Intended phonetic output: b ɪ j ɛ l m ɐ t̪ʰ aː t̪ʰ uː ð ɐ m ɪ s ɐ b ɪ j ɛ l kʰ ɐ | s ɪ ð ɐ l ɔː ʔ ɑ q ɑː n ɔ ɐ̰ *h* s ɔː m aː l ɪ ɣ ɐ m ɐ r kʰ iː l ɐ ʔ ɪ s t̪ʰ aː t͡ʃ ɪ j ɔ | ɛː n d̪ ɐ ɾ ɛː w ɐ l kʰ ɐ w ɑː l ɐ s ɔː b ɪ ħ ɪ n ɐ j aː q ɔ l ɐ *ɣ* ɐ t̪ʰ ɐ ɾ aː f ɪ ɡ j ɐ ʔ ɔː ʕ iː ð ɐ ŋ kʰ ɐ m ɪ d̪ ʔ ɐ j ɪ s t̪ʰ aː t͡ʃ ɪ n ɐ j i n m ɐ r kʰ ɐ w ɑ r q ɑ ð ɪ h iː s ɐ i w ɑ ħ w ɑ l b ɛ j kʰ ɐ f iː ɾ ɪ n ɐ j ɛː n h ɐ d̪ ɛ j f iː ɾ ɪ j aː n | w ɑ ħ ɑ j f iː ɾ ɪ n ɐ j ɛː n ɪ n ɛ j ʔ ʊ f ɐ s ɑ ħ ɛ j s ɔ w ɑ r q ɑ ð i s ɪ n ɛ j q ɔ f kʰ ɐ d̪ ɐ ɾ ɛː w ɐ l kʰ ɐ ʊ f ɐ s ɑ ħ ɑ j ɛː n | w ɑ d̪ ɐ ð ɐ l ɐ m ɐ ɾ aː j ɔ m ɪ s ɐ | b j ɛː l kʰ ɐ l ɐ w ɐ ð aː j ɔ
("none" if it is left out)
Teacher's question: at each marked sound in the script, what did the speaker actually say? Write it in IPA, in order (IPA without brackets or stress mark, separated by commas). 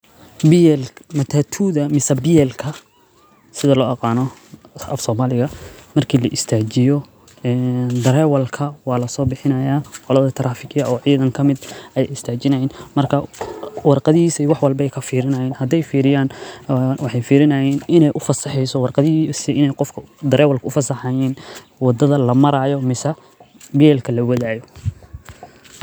f, ð